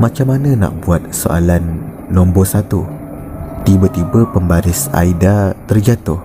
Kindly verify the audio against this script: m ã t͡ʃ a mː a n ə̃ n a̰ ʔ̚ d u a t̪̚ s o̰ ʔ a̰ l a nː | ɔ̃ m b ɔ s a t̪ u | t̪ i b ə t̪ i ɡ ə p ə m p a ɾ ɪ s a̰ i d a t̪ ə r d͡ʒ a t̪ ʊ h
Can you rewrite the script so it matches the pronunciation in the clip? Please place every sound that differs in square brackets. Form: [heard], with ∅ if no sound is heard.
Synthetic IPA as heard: m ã t͡ʃ a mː a n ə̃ n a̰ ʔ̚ [b] u a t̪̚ s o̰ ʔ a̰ l a nː | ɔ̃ m b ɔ s a t̪ u | t̪ i b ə t̪ i [b] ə p ə m [b] a ɾ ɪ s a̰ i d a t̪ ə r d͡ʒ a t̪ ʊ h